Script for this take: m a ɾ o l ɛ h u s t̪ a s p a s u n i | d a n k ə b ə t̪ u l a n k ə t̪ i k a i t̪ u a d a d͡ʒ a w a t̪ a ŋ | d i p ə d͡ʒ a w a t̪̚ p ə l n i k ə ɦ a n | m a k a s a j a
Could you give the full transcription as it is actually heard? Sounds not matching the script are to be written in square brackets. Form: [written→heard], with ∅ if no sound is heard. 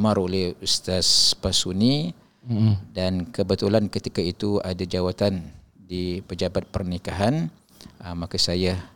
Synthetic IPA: m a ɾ o l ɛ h u s t̪ a s p a s u n i | d a n k ə b ə t̪ u l a n k ə t̪ i k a i t̪ u a d a d͡ʒ a w a t̪ a [ŋ→n] | d i p ə d͡ʒ a [w→b] a t̪̚ p ə [l→r] n i k [ə→a] ɦ a n | m a k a s a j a